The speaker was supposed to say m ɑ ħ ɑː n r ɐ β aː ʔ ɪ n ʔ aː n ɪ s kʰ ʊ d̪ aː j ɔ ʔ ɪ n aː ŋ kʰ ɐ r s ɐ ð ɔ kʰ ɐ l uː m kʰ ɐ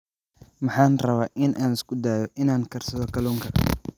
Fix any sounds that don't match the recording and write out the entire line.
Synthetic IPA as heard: m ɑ ħ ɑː n r ɐ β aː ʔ ɪ n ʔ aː n ɪ s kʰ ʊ d̪ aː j ɔ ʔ ɪ n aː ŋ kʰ ɐ r s ɐ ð ɔ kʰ ɐ l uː ŋ kʰ ɐ